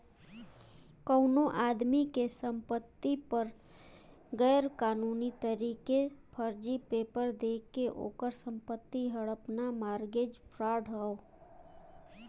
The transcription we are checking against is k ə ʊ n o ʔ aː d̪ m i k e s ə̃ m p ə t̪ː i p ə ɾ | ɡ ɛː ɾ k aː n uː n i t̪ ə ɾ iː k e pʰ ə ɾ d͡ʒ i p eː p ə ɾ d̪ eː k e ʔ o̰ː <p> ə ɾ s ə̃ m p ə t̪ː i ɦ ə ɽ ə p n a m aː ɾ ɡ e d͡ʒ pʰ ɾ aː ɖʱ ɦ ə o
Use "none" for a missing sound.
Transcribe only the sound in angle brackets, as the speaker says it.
k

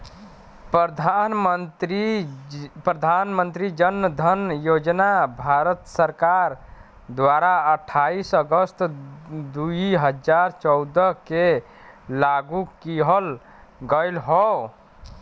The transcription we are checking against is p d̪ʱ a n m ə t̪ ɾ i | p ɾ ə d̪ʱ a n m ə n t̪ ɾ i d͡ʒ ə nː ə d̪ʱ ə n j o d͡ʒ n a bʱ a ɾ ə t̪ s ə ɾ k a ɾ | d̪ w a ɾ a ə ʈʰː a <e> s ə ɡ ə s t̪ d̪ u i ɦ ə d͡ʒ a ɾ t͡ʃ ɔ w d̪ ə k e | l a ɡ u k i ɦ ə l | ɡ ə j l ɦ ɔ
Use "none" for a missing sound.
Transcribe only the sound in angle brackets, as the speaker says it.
i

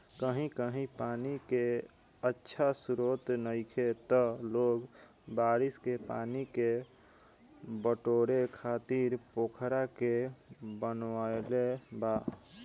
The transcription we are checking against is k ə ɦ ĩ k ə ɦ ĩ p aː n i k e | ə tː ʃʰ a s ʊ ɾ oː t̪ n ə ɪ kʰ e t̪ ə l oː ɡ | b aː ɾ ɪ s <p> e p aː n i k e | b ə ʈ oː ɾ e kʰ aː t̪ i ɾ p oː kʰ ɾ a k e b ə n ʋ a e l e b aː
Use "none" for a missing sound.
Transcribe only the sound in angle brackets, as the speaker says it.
k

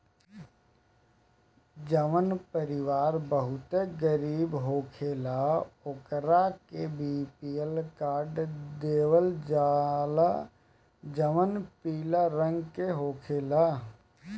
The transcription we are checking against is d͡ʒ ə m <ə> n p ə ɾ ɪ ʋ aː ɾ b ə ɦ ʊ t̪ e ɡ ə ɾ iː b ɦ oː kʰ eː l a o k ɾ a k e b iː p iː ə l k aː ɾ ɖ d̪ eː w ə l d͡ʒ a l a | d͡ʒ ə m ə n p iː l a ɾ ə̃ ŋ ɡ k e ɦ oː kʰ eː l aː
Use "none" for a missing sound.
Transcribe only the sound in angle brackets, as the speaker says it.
ə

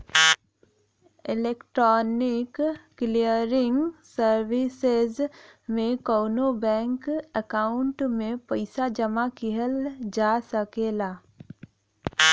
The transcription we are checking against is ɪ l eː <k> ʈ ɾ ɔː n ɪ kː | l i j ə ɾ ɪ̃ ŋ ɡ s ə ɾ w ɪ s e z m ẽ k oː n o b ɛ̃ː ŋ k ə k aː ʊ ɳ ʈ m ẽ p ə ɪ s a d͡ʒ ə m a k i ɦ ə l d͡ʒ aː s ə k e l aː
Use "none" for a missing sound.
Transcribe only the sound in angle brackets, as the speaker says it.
k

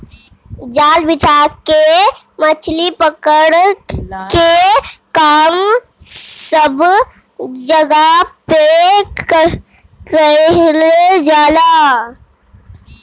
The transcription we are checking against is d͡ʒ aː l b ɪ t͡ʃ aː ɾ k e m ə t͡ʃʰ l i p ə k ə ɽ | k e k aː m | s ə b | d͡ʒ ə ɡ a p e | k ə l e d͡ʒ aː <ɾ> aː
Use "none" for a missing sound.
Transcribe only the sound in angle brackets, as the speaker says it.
l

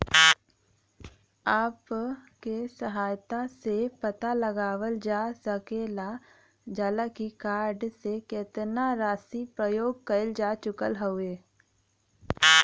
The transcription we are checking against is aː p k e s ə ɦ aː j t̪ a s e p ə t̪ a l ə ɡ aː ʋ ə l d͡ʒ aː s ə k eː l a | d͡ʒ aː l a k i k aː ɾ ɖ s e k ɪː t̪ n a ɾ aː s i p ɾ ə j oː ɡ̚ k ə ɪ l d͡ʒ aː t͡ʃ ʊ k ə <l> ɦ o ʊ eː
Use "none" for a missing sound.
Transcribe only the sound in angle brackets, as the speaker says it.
l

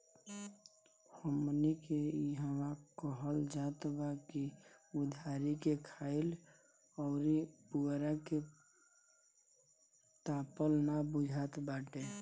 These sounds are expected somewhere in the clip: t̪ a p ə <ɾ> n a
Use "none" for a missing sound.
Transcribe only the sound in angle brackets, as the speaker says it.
l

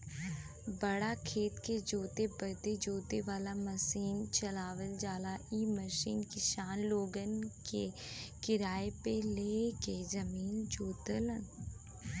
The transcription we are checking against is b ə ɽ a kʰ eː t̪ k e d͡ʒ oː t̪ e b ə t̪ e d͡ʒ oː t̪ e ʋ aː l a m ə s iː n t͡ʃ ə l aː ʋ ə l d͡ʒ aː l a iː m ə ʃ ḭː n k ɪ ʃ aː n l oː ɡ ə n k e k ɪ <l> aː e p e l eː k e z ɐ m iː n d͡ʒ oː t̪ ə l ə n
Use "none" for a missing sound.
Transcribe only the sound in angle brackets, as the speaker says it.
ɾ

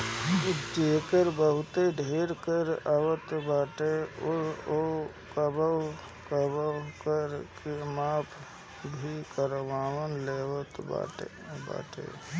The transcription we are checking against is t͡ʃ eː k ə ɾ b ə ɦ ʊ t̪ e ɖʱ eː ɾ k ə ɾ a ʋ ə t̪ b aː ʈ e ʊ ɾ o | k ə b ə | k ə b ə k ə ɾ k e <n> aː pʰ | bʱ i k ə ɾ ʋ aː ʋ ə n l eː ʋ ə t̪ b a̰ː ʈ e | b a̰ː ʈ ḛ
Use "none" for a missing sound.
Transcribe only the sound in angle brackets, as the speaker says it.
m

